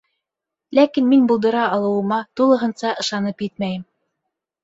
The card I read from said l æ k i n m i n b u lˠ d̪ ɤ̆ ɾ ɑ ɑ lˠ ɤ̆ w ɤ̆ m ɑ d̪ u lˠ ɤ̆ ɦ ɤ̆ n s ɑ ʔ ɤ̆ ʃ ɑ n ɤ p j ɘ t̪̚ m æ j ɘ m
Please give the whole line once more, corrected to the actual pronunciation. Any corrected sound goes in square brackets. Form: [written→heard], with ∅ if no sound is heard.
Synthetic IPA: l æ k i n m i n b u lˠ d̪ ɤ̆ ɾ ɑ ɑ lˠ ɤ̆ w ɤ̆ m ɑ [d̪→t̪] u lˠ ɤ̆ ɦ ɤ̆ n s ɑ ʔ ɤ̆ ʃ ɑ n ɤ p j ɘ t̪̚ m æ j ɘ m